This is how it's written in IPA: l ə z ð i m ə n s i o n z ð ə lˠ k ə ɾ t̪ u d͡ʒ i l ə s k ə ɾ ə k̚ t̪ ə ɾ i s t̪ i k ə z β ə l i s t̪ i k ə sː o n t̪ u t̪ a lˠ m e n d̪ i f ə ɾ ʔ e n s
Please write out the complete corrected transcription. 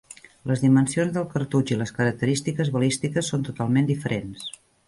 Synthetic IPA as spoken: l ə z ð i m ə n s i o n z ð ə lˠ k ə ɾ t̪ u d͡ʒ i l ə s k ə ɾ ə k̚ t̪ ə ɾ i s t̪ i k ə z β ə l i s t̪ i k ə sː o n t̪ u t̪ a lˠ m e n d̪ i f ə ɾ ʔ e n s

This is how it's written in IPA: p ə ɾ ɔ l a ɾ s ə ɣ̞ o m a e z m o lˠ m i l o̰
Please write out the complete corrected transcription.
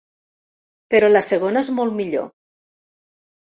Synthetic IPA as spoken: p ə ɾ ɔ l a s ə ɣ̞ o n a e z m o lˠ m i ʎ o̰

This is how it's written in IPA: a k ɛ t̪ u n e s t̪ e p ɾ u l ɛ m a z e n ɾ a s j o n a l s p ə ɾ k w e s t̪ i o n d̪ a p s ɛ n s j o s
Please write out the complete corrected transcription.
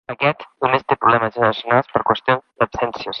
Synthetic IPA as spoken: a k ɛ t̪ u n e s t̪ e p ɾ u l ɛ m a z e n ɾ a s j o n a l s p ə ɾ k w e s t̪ j o n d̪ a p s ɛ n s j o s

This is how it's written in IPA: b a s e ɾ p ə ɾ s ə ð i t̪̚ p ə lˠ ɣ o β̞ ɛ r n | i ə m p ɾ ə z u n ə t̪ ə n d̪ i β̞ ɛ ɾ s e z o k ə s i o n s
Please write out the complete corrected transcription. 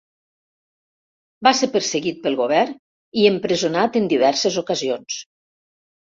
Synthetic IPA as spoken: b a s e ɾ p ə ɾ s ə ɣ i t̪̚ p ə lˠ ɣ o β̞ ɛ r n | i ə m p ɾ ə z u n a t̪ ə n d̪ i β̞ ɛ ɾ s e z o k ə z i o n s

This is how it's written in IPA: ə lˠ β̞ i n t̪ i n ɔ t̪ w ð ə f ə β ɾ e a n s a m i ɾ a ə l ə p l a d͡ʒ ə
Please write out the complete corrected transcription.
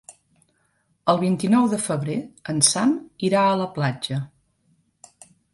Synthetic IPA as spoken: ə lˠ β̞ i n t̪ i n ɔ w ð ə f ə β ɾ e ə n s a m i ɾ a ə l ə p l a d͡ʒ ə

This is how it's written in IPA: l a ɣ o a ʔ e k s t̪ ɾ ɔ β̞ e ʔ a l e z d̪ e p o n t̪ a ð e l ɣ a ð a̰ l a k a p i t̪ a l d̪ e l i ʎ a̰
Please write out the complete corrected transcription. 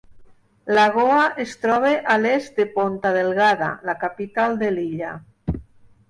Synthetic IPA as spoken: l a ɣ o a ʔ e s t̪ ɾ ɔ β̞ e ʔ a l e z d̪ e p o n t̪ a ð e l ɣ a ð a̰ l a k a p i t̪ a l d̪ e l i ʎ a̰

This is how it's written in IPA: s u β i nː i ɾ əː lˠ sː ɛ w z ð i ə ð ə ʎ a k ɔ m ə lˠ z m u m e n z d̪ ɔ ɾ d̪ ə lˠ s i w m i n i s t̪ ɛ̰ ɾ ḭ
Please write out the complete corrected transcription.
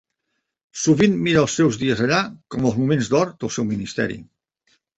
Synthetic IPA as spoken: s u β i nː i ɾ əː lˠ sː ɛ w z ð i ə z ə ʎ a k ɔ m ə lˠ z m u m e n z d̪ ɔ ɾ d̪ ə lˠ s ɛ w m i n i s t̪ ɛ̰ ɾ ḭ

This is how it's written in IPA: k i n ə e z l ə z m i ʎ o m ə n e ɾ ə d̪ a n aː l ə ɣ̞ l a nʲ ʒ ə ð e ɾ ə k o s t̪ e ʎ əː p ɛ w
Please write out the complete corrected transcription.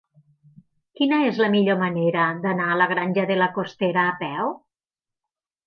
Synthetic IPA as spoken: k i n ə e z l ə m i ʎ o m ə n e ɾ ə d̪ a n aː l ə ɣ̞ ɾ a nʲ ʒ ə ð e l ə k o s t̪ e ɾ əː p ɛ w

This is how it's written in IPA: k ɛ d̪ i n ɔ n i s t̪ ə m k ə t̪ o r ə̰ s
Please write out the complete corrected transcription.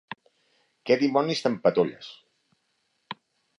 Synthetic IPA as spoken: k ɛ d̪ i m ɔ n i s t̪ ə m p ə t̪ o ʎ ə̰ s

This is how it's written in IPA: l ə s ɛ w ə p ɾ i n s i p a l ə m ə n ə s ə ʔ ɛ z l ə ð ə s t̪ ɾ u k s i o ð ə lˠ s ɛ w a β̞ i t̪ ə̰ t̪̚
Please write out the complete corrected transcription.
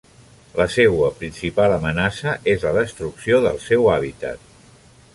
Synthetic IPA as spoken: l ə s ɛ w ə p ɾ i n s i p a l ə m ə n a s ə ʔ e z l ə ð ə s t̪ ɾ u k s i o ð ə lˠ s ɛ w a β̞ i t̪ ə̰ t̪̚

